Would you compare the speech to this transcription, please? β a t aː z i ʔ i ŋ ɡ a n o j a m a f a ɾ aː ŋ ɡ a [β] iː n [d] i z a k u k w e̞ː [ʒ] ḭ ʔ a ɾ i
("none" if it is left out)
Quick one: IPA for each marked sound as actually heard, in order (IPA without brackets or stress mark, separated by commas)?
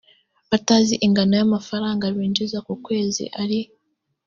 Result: β, d͡ʒ, z